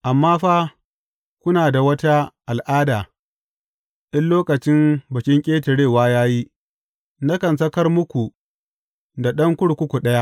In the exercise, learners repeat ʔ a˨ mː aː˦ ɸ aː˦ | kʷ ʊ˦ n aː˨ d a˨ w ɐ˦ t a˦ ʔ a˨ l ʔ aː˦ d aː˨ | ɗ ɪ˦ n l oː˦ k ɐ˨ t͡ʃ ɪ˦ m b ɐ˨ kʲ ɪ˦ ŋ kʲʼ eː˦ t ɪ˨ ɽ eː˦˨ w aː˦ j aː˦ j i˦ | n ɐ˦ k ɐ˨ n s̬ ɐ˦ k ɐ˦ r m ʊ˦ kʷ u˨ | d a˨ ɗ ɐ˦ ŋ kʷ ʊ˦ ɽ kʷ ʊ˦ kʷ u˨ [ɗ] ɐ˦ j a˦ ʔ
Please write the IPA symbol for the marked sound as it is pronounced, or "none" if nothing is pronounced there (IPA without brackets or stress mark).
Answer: ɗ